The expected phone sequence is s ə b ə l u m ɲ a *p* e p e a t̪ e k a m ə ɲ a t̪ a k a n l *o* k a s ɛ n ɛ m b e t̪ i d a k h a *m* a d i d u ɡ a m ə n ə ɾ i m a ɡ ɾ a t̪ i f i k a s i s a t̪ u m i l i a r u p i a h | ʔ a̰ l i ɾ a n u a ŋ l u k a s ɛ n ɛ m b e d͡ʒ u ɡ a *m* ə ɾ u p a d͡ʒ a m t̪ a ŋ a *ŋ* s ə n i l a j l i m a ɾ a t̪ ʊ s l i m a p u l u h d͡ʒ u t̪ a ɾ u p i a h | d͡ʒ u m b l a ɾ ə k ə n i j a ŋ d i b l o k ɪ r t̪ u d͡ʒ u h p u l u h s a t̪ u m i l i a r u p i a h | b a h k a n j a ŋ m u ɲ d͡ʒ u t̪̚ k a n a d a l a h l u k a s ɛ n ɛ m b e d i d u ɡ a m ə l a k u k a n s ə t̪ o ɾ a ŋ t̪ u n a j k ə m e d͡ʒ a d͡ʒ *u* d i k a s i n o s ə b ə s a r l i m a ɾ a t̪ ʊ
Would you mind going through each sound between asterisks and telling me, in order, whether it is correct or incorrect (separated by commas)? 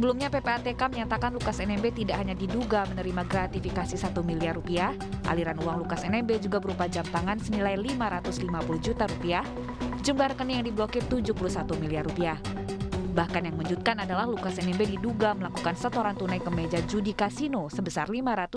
correct, incorrect, incorrect, incorrect, incorrect, correct